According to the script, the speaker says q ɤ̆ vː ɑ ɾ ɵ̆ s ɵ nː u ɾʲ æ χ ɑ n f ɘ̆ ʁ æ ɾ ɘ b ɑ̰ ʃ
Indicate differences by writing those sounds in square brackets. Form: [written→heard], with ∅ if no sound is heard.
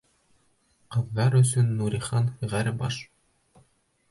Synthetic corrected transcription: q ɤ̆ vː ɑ ɾ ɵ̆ s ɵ nː u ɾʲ [æ→i] χ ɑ n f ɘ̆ ʁ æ ɾ ɘ b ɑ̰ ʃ

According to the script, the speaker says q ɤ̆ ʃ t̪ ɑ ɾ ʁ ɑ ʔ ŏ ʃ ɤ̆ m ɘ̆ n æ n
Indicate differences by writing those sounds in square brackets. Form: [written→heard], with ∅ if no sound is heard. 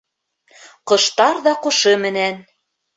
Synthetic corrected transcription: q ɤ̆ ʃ t̪ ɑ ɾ [ʁ→ð] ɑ [ʔ→q] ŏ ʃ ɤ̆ m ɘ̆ n æ n

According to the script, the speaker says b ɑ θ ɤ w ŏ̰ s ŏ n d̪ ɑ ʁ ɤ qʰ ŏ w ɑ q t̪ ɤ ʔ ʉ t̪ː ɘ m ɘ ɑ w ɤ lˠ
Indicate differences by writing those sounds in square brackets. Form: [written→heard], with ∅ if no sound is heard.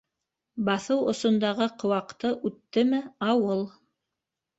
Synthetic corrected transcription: b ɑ θ ɤ w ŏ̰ s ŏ n d̪ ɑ ʁ ɤ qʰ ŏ w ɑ q t̪ ɤ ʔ ʉ t̪ː ɘ m ɘ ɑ w ɤ lˠ

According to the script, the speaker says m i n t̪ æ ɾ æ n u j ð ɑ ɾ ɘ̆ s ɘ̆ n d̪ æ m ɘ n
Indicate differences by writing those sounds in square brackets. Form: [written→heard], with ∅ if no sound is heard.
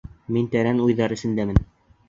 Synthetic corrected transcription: m i n t̪ æ ɾ æ n u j ð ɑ ɾ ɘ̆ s ɘ̆ n d̪ æ m ɘ n

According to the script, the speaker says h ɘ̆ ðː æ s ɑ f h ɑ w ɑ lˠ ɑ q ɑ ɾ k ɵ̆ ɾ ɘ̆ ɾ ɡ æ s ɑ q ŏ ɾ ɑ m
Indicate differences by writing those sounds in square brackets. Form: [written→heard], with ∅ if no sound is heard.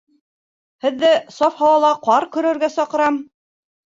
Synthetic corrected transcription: h ɘ̆ ðː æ s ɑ f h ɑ w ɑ lˠ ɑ q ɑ ɾ k ɵ̆ ɾ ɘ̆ ɾ ɡ æ s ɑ q [ŏ→ɤ̆] ɾ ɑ m

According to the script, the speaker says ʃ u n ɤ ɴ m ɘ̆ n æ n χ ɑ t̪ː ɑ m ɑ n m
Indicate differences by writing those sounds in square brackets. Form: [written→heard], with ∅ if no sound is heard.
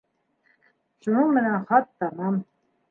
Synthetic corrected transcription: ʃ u n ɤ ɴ m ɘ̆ n æ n χ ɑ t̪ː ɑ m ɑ [n→∅] m

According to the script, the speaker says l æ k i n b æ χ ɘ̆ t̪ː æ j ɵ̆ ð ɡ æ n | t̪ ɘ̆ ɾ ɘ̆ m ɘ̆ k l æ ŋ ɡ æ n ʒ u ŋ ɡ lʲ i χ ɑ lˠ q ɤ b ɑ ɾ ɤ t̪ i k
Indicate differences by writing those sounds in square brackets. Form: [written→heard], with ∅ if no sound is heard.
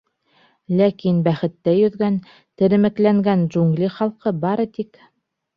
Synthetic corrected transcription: l æ k i n b æ χ ɘ̆ t̪ː æ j ɵ̆ ð ɡ æ n | t̪ ɘ̆ ɾ ɘ̆ m ɘ̆ k l æ ŋ ɡ æ n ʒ u ŋ ɡ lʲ i χ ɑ lˠ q ɤ b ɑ ɾ ɤ t̪ i k

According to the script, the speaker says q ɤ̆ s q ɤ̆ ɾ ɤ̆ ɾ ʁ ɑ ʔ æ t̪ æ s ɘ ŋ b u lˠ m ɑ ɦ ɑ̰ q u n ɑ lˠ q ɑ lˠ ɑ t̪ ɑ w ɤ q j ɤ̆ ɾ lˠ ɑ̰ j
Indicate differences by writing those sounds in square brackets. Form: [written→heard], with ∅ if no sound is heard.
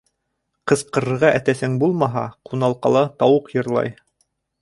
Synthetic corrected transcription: q ɤ̆ s q ɤ̆ ɾ ɤ̆ ɾ ʁ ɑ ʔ æ t̪ æ s ɘ ŋ b u lˠ m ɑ ɦ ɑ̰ q u n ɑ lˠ q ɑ lˠ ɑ t̪ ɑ w ɤ q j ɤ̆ ɾ lˠ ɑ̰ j

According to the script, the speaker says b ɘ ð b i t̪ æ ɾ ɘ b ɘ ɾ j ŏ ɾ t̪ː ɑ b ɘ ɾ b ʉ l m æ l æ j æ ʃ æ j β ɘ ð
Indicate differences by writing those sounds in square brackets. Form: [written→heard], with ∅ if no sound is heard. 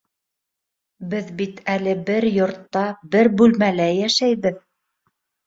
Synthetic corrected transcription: b ɘ ð b i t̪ æ [ɾ→l] ɘ b ɘ ɾ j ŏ ɾ t̪ː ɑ b ɘ ɾ b ʉ l m æ l æ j æ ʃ æ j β ɘ ð

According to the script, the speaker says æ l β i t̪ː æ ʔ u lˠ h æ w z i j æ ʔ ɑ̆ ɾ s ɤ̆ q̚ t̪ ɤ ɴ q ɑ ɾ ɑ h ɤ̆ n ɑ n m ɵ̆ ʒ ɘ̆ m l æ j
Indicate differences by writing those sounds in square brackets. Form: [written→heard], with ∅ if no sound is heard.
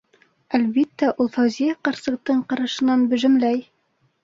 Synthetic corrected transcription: æ l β i t̪ː æ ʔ u lˠ [h→f] æ w z i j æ [ʔ→q] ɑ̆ ɾ s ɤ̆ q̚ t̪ ɤ ɴ q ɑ ɾ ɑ [h→ʃ] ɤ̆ n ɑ n [m→b] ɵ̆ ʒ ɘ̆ m l æ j

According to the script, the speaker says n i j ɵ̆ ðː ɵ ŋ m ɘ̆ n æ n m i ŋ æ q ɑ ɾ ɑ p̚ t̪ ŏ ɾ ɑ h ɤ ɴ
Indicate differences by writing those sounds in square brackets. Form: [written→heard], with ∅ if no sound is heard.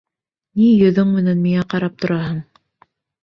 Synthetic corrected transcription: n i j ɵ̆ [ðː→ð] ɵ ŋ m ɘ̆ n æ n m i ŋ æ q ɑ ɾ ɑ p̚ t̪ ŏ ɾ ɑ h ɤ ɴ

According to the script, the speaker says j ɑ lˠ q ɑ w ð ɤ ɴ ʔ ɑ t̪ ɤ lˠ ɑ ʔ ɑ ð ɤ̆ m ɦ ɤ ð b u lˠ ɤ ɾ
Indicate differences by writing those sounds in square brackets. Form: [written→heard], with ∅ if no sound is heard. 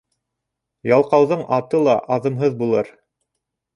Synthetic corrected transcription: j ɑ lˠ q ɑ w ð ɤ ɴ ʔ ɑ t̪ ɤ lˠ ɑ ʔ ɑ ð ɤ̆ m ɦ ɤ ð b u lˠ ɤ ɾ

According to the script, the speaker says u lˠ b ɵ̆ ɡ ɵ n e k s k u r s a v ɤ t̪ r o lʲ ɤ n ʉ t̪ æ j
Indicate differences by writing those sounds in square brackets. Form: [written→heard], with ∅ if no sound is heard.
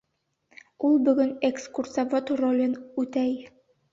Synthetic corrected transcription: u lˠ b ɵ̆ ɡ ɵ n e k s k u r s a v [ɤ→o] t̪ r o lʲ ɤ n ʉ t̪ æ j

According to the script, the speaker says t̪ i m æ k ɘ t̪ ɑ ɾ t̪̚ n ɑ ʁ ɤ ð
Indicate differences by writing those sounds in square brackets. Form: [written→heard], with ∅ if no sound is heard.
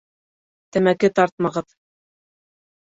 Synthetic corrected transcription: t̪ [i→æ] m æ k ɘ t̪ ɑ ɾ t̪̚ [n→m] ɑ ʁ ɤ ð

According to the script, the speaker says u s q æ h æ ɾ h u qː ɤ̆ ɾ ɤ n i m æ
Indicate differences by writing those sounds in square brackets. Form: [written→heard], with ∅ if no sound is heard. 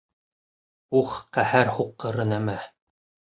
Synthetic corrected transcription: u [s→χ] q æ h æ ɾ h u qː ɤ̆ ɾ ɤ n [i→æ] m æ

